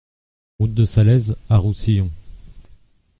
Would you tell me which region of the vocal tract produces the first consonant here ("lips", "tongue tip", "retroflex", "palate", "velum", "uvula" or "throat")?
uvula